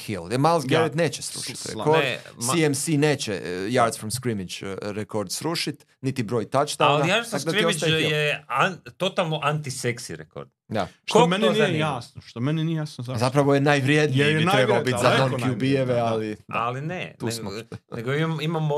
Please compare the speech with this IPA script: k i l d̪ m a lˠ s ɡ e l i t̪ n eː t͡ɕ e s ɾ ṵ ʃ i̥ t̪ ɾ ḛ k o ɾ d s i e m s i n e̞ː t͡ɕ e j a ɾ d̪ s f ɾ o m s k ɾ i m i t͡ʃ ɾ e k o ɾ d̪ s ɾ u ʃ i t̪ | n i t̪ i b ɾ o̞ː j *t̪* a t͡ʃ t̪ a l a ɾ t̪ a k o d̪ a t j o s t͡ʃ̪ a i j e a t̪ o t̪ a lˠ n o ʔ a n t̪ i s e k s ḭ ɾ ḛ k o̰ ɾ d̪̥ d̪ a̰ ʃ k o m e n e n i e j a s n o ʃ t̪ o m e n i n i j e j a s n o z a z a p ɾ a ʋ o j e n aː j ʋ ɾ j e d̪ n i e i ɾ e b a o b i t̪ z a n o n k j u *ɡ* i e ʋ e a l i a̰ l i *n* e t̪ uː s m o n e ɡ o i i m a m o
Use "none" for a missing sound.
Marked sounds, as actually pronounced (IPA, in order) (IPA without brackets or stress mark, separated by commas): t̪, b, n